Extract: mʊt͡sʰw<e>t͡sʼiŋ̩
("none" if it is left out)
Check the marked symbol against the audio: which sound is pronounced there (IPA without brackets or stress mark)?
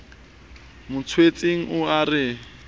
e